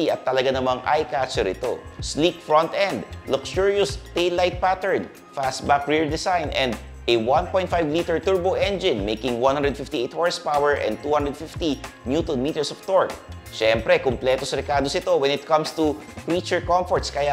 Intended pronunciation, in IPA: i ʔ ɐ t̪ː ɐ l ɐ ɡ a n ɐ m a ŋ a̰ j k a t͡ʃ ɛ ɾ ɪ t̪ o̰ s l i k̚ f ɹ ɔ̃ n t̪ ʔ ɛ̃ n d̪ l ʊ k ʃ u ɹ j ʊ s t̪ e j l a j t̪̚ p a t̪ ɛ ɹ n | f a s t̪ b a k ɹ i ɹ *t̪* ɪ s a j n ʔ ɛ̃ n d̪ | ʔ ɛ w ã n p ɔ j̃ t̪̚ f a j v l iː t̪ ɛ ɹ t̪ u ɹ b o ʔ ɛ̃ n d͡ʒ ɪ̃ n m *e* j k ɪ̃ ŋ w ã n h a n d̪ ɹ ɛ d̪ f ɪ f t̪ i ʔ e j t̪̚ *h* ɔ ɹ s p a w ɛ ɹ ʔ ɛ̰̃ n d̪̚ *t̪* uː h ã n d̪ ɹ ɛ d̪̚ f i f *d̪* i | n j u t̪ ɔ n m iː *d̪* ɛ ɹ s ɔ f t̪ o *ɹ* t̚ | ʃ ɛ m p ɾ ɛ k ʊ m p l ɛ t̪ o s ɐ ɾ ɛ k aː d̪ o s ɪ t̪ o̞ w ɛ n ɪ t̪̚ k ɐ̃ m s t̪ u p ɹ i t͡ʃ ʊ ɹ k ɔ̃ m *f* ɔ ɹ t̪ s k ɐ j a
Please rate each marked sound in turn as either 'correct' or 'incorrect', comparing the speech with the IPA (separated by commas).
incorrect, correct, correct, correct, incorrect, incorrect, correct, correct